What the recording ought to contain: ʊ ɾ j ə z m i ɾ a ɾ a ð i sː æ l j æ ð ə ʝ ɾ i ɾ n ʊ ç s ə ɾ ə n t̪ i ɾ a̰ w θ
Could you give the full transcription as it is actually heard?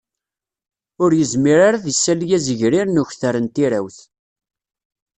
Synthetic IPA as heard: ʊ ɾ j ə z m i ɾ a ɾ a ð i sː æ l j æ z ə ʝ ɾ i ɾ n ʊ ç θ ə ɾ ə n t̪ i ɾ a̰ w θ